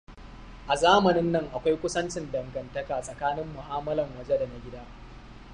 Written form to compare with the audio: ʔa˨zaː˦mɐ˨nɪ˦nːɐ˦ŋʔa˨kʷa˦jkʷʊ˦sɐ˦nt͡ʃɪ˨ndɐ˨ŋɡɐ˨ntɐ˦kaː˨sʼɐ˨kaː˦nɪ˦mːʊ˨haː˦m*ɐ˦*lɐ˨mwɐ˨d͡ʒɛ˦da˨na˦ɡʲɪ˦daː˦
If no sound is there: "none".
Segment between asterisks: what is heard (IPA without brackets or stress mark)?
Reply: ɐ˦